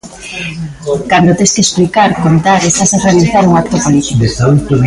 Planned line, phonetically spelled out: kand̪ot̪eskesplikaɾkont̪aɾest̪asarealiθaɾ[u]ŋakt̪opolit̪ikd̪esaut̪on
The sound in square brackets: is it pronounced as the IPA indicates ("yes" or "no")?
yes